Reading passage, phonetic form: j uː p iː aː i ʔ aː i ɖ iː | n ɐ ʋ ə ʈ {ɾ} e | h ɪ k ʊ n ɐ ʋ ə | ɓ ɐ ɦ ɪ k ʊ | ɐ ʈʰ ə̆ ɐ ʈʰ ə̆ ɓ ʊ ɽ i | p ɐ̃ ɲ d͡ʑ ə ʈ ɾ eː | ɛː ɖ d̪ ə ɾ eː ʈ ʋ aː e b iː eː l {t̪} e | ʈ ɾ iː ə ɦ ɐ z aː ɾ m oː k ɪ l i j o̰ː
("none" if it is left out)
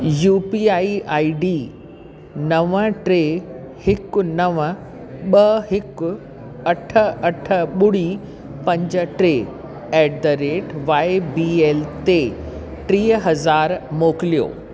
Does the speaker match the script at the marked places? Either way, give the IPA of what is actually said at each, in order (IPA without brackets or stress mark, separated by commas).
ɾ, t̪